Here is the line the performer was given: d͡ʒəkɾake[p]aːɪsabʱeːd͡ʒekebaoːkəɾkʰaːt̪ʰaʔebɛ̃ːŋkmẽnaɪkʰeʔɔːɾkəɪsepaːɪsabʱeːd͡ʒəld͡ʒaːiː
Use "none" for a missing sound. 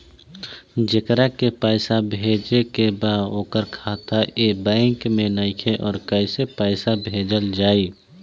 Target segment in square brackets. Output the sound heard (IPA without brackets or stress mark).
p